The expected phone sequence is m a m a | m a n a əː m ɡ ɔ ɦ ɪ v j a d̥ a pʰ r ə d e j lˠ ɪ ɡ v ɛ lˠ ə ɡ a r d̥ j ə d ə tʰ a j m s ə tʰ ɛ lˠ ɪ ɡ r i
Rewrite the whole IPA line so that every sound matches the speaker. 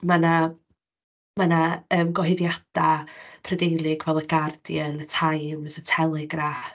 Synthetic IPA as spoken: m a n a | m a n a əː m ɡ ɔ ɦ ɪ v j a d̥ a pʰ r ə d e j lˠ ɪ ɡ v ɛ lˠ ə ɡ a r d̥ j ə n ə tʰ a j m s ə tʰ ɛ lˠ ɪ ɡ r a